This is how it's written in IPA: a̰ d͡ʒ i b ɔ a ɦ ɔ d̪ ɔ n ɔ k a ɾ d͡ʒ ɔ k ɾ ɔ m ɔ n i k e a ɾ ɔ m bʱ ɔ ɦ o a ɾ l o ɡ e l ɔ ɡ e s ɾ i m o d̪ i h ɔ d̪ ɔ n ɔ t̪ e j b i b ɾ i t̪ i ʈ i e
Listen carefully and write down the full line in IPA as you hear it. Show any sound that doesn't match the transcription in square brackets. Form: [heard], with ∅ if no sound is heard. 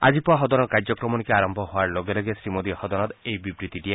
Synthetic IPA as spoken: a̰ d͡ʒ i [p] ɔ a ɦ ɔ d̪ ɔ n ɔ k a ɾ d͡ʒ ɔ k ɾ ɔ m ɔ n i k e a ɾ ɔ m bʱ ɔ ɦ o a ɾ l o ɡ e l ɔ ɡ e s ɾ i m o d̪ i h ɔ d̪ ɔ n ɔ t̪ e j b i b ɾ i t̪ i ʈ i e